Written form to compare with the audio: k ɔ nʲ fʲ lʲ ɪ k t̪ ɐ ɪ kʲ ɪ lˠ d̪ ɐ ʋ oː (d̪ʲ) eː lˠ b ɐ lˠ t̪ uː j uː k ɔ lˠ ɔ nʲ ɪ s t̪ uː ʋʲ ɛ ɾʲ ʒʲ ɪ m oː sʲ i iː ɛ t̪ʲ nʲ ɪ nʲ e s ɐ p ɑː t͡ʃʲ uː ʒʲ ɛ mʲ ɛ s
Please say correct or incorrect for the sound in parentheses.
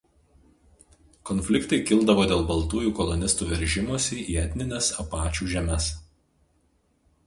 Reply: correct